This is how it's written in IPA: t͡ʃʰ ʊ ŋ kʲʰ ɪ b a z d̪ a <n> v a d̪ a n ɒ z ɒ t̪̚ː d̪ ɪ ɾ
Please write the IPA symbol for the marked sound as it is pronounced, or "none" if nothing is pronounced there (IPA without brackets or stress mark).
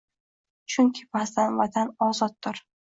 n